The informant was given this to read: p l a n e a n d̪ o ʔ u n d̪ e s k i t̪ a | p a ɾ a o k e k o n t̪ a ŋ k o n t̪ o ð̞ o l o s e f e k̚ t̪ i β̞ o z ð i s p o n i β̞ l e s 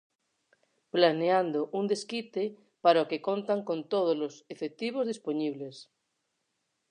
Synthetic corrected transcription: p l a n e a n d̪ o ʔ u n d̪ e s k i t̪ e | p a ɾ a o k e k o n t̪ a ŋ k o n t̪ o ð̞ o l o s e f e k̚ t̪ i β̞ o z ð i s p o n i β̞ l e s